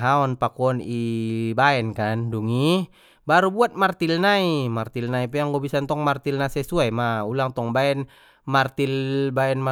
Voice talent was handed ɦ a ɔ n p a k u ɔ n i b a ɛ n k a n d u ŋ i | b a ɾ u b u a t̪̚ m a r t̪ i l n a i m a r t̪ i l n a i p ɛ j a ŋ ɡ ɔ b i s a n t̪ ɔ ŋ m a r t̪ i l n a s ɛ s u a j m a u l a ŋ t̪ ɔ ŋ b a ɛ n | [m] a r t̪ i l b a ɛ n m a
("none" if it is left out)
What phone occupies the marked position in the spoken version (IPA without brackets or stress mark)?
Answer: m